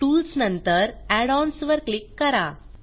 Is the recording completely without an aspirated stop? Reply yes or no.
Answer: yes